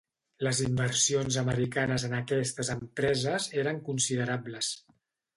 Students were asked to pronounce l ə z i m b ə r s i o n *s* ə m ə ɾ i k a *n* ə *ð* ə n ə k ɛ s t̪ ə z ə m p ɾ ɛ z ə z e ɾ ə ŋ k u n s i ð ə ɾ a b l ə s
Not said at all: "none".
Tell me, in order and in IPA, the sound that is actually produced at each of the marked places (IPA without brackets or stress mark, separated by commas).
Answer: z, n, z